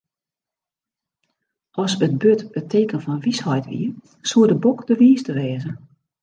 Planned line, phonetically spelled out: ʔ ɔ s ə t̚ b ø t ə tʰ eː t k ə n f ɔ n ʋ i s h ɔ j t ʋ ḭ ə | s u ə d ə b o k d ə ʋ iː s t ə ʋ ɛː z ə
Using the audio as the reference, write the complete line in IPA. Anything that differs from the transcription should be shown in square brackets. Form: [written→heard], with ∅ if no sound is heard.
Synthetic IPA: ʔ ɔ s ə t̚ b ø t ə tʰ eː [t→∅] k ə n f ɔ n ʋ i s h ɔ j t ʋ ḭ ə | s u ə d ə b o k d ə ʋ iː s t ə ʋ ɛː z ə